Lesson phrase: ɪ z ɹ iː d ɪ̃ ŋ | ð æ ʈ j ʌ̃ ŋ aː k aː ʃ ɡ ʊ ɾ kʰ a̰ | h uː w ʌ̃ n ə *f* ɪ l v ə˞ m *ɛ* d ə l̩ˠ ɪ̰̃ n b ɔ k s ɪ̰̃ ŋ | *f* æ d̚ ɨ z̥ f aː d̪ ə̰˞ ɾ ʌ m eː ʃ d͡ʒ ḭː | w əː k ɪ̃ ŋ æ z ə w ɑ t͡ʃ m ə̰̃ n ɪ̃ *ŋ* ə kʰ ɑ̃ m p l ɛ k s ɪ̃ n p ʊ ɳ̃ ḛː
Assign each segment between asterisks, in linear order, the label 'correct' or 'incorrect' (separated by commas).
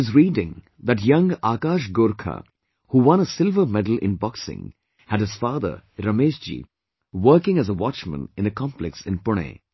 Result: incorrect, correct, incorrect, incorrect